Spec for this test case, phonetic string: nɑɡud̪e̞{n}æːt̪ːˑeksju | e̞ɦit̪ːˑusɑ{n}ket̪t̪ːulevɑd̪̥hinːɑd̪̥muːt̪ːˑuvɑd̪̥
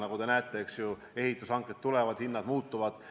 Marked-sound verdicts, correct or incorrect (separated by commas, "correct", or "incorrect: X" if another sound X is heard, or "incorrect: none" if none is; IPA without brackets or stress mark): correct, incorrect: ŋ